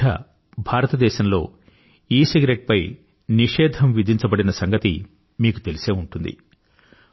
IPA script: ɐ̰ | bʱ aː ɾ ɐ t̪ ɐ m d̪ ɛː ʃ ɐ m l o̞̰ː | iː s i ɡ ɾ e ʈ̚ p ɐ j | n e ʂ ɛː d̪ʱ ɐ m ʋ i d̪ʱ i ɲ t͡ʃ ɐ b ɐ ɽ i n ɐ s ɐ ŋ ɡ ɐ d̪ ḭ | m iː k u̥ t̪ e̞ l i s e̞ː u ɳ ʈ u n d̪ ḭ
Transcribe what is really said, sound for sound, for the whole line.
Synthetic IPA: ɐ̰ | bʱ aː ɾ ɐ t̪ ɐ d̪ ɛː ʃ ɐ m l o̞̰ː | iː s i ɡ ɾ e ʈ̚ p ɐ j | n i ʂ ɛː d̪ʱ ɐ m ʋ i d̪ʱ i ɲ t͡ʃ ɐ b ɐ ɽ i n ɐ s ɐ ŋ ɡ ɐ t̪ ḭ | m iː k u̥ t̪ e̞ l i s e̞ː u ɳ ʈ u n d̪ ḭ